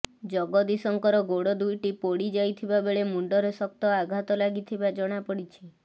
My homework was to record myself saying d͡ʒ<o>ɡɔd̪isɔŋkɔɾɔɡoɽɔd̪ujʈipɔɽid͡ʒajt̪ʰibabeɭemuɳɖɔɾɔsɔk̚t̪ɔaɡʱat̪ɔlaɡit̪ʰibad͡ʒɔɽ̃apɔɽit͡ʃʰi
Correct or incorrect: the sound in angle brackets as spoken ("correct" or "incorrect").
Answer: incorrect